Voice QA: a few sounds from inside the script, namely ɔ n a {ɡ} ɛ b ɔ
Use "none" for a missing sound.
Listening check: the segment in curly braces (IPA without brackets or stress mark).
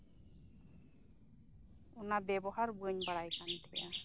b